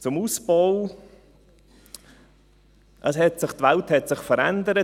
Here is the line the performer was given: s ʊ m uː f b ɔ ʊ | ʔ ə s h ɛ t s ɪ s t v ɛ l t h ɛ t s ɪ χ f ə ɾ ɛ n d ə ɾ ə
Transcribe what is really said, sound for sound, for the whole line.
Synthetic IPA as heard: t͡s ʊ m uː s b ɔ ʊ | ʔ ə s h ɛ t s ɪ χ t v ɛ l t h ɛ t s ɪ χ f ə ɾ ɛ n d ə ɾ ə